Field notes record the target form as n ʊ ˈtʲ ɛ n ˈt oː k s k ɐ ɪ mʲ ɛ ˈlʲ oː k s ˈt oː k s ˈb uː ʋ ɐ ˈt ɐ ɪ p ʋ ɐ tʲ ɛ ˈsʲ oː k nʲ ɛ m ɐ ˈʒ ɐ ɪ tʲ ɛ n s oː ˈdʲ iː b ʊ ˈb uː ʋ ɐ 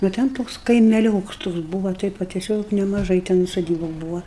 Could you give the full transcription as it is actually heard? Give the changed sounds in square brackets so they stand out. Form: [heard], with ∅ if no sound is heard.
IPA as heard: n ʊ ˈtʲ ɛ n ˈt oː k s k ɐ ɪ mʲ ɛ ˈlʲ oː k s ˈt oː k s ˈb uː ʋ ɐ ˈt ɐ ɪ p ʋ ɐ tʲ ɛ ˈsʲ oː k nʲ ɛ m ɐ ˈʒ ɐ ɪ tʲ ɛ n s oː ˈdʲ iː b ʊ ˈb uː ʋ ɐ

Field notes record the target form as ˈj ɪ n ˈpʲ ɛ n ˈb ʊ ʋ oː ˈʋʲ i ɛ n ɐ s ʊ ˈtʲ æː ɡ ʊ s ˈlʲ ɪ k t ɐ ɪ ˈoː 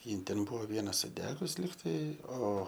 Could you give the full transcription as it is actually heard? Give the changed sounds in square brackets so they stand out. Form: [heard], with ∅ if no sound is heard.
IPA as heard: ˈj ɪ n [ˈtʲ] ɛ n ˈb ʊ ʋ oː ˈʋʲ i ɛ n ɐ s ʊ [ˈdʲ] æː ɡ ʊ s ˈlʲ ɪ k t ɐ ɪ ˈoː

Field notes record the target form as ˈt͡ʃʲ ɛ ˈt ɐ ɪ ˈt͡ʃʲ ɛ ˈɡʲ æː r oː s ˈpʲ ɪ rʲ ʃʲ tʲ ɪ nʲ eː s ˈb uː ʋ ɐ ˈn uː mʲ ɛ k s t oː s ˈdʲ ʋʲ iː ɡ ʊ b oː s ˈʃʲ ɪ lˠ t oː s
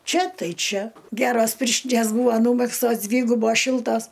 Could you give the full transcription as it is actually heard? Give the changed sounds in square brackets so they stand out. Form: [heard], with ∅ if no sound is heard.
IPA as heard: ˈt͡ʃʲ ɛ ˈt ɐ ɪ ˈt͡ʃʲ ɛ ˈɡʲ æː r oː s ˈpʲ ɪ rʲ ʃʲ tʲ ɪ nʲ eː s ˈb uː ʋ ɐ ˈn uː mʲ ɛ k s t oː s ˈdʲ ʋʲ iː ɡ ʊ b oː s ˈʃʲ ɪ lˠ t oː s

